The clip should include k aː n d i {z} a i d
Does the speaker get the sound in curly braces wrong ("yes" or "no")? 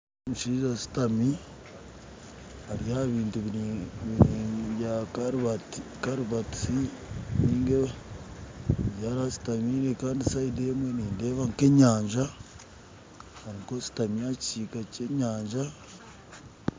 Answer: yes